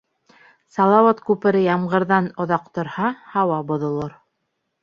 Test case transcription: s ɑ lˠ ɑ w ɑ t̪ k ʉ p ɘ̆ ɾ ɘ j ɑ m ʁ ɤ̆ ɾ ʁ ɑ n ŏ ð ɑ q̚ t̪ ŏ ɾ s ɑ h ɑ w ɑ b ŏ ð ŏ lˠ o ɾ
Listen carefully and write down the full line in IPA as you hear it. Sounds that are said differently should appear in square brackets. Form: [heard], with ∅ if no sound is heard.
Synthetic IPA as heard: s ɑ lˠ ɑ w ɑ t̪ k ʉ p ɘ̆ ɾ ɘ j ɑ m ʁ ɤ̆ ɾ [ð] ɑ n ŏ ð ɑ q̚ t̪ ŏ ɾ [h] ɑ h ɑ w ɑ b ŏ ð ŏ lˠ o ɾ